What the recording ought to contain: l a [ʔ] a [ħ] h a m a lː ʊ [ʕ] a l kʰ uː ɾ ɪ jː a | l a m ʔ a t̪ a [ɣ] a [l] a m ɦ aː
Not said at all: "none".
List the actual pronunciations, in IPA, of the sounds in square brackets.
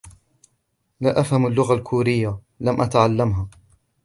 ʔ, f, ɣ, ʕ, lː

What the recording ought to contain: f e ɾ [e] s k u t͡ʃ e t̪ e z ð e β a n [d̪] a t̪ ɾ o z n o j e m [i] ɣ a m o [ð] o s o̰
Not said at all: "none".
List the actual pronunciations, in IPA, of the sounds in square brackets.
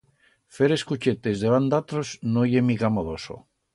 e, d̪, i, ð

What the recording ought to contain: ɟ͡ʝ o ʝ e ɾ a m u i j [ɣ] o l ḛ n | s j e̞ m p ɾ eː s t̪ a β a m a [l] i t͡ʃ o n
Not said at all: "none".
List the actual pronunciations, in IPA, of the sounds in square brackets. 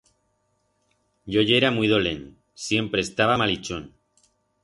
ð, l

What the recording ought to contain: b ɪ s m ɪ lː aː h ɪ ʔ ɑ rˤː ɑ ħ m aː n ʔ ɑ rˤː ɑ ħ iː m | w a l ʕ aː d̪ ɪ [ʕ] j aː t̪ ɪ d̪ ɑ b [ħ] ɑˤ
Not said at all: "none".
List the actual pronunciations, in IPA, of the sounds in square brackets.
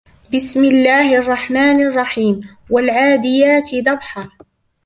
none, ħ

